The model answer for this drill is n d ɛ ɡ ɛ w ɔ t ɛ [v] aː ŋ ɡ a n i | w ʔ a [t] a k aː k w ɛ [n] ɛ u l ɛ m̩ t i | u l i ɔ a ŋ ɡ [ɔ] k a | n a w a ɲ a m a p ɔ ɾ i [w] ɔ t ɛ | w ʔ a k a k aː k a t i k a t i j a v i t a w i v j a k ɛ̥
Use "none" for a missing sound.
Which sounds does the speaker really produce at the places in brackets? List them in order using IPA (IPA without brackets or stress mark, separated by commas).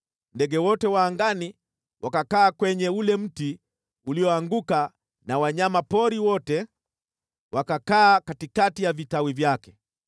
w, k, ɲ, u, w